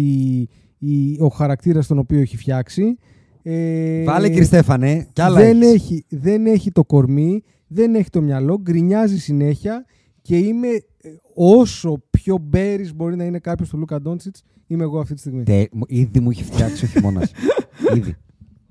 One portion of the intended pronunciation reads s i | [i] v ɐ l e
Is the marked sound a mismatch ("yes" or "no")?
yes